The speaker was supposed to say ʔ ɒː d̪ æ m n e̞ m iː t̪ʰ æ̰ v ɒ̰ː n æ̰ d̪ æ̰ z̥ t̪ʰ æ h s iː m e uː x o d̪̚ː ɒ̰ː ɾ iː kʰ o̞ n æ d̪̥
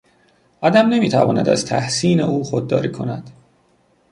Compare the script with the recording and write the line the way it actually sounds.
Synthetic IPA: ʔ ɒː d̪ æ m n e̞ m iː t̪ʰ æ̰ v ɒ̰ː n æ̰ d̪ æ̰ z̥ t̪ʰ æ h s iː n e uː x o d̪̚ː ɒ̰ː ɾ iː kʰ o̞ n æ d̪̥